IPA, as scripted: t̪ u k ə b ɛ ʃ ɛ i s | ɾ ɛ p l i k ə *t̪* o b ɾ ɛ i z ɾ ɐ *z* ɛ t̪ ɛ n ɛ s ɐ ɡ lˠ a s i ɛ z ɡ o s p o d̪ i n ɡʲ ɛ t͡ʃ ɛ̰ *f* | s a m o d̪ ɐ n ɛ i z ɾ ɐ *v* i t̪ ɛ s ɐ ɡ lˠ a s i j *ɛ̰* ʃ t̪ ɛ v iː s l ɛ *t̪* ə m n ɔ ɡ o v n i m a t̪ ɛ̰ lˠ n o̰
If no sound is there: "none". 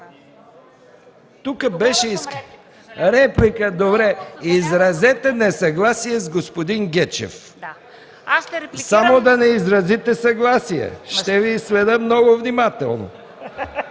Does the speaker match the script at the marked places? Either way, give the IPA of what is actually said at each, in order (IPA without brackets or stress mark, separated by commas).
d̪, z, f, z, ɛ̰, d̪